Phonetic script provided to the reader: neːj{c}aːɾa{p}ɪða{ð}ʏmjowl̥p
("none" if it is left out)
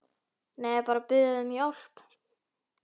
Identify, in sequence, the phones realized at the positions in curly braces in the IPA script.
p, p, ð

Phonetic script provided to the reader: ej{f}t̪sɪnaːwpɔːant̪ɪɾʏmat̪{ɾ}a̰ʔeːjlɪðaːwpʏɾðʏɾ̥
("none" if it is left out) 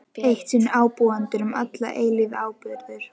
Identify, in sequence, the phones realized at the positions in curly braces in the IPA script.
h, l

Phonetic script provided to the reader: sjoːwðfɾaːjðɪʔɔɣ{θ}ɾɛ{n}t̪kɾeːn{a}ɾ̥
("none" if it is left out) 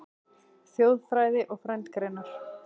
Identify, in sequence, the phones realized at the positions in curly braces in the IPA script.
f, n, a

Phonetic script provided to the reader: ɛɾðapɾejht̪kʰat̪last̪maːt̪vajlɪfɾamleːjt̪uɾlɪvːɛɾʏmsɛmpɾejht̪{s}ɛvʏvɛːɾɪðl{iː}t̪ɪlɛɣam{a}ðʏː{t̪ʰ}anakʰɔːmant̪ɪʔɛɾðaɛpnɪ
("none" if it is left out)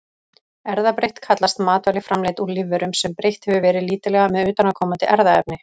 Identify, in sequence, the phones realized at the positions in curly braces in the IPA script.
h, iː, ɛ, t̪

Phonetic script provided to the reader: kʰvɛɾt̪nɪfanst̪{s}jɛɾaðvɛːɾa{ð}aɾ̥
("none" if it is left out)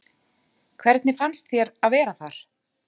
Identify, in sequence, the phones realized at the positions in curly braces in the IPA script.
θ, θ

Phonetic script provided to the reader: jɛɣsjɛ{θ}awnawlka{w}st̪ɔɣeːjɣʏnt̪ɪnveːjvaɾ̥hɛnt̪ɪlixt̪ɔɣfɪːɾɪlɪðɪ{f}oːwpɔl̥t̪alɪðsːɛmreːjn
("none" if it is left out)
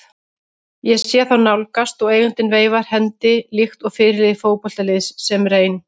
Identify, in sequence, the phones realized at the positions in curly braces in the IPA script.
θ, none, f

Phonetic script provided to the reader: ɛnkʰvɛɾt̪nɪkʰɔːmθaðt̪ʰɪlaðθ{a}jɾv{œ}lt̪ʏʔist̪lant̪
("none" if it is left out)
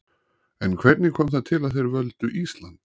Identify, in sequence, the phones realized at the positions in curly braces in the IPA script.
e, œ

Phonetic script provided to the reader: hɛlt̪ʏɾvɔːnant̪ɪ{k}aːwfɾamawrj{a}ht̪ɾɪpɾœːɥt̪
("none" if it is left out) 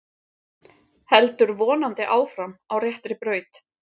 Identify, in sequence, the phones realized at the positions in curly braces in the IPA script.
ʔ, ɛ

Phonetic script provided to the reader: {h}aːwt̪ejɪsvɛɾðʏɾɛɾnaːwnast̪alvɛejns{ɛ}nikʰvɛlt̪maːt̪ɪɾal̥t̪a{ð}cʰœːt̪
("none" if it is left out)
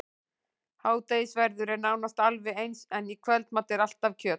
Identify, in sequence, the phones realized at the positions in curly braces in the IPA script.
h, ɛ, v

